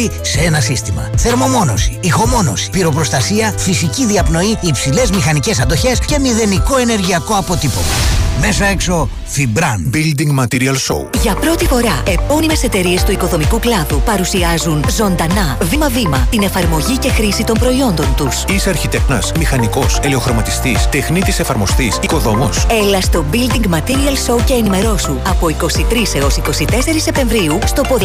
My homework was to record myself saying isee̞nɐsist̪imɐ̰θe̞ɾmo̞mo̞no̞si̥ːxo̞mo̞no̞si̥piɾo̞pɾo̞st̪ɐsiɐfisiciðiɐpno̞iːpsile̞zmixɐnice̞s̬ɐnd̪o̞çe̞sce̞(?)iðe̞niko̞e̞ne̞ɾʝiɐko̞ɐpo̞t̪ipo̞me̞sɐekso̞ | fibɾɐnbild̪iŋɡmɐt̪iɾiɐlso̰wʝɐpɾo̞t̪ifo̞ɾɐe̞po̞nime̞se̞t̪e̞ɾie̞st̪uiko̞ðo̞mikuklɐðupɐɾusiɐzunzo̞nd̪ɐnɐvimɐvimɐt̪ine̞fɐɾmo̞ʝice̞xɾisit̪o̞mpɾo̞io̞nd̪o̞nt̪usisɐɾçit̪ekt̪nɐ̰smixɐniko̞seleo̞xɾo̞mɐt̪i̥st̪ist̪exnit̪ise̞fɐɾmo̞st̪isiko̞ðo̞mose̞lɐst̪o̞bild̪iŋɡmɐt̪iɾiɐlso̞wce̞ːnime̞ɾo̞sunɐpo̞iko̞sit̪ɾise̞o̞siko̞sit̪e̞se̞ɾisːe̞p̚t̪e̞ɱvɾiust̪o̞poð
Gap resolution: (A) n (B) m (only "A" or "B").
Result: B